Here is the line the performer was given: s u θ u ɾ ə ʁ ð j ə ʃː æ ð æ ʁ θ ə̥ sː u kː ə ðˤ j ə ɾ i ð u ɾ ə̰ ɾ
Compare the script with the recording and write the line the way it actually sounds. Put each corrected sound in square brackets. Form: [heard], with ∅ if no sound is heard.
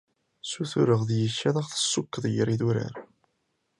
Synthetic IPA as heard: s u θ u ɾ ə ʁ ð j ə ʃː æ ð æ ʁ θ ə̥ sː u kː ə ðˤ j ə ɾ i ð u ɾ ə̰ ɾ